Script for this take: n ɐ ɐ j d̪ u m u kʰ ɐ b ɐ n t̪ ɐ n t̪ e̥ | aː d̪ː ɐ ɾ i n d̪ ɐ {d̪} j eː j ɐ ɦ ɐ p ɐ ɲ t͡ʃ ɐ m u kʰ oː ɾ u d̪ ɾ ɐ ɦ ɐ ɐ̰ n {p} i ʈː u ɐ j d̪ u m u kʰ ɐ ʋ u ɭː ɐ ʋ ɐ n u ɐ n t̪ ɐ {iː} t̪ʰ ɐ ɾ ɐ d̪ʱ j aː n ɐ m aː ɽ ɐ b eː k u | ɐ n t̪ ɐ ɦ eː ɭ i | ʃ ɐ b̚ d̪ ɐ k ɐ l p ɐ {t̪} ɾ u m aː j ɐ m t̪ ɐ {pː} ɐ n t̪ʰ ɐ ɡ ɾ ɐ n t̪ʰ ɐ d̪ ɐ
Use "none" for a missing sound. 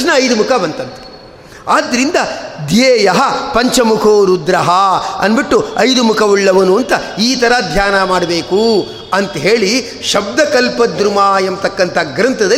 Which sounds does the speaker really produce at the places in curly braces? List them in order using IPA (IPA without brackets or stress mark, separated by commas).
d̪, b, iː, d̪, kː